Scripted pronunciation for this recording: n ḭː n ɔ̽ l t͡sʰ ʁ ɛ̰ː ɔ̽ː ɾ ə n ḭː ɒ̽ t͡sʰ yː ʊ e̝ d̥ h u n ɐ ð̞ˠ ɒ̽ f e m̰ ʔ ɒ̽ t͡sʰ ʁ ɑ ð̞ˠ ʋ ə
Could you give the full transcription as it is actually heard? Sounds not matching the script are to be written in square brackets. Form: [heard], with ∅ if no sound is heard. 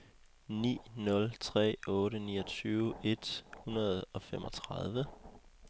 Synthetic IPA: n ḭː n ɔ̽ l t͡sʰ ʁ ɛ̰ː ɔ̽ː ɾ ə n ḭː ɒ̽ t͡sʰ yː ʊ e̝ d̥ h u n ɐ ð̞ˠ ɒ̽ f e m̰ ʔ ɒ̽ t͡sʰ ʁ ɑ ð̞ˠ ʋ ə